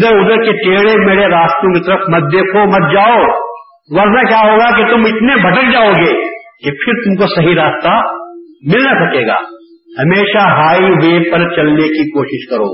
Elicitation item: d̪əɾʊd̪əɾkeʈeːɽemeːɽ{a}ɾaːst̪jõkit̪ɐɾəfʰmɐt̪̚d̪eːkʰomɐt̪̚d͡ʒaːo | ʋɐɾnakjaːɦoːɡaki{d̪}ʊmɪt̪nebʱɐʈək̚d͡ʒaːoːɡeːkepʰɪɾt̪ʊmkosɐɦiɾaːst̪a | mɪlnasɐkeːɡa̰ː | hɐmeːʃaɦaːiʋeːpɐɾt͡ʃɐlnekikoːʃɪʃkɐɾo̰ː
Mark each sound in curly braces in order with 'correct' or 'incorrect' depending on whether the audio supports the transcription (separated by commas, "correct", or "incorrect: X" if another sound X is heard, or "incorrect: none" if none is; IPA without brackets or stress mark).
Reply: incorrect: e, incorrect: t̪